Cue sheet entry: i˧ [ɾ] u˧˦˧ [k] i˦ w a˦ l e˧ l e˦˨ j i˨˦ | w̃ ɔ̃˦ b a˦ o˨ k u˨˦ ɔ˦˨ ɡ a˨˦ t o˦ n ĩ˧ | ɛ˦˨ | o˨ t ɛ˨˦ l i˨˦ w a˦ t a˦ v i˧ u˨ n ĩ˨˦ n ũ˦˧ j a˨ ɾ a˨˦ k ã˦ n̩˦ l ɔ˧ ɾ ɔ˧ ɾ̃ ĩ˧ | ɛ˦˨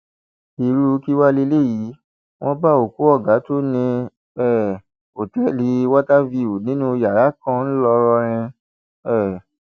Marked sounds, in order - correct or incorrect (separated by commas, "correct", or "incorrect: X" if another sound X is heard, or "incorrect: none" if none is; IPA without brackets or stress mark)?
correct, correct